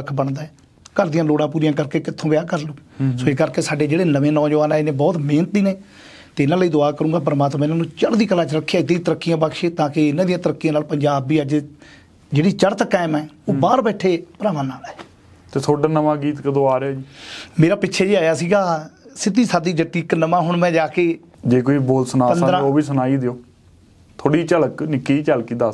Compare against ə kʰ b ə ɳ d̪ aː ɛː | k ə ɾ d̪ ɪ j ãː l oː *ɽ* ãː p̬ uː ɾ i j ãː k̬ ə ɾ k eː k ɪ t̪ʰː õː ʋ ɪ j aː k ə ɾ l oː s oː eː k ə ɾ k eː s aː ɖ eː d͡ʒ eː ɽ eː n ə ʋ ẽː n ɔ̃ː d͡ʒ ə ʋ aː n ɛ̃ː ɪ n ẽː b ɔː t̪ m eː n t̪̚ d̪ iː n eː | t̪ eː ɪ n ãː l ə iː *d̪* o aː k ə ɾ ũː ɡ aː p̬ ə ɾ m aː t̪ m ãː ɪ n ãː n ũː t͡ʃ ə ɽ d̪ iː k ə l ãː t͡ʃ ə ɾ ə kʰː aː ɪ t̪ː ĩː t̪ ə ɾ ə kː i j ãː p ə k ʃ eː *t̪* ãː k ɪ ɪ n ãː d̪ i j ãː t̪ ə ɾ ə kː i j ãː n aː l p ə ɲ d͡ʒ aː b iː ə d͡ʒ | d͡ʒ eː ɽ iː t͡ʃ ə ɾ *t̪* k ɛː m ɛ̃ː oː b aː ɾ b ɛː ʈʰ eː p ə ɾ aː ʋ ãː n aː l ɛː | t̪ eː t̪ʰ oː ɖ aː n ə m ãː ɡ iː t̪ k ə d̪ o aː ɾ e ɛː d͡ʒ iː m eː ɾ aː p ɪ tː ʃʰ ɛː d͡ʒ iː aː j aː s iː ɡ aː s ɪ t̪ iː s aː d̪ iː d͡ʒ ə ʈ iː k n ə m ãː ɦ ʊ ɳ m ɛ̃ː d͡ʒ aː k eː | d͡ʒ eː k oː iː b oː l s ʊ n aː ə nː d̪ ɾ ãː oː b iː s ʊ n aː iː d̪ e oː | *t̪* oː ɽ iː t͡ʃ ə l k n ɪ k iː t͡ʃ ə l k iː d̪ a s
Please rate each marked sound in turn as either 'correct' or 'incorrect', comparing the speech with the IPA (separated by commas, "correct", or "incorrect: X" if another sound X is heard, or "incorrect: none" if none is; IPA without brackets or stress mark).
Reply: correct, correct, correct, correct, incorrect: t̪ʰ